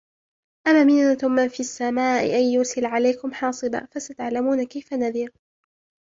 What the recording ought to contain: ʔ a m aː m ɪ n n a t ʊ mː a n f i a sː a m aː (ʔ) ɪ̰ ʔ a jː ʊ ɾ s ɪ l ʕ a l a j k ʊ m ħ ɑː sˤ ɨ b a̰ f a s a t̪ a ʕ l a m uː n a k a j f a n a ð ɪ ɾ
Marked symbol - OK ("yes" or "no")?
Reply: yes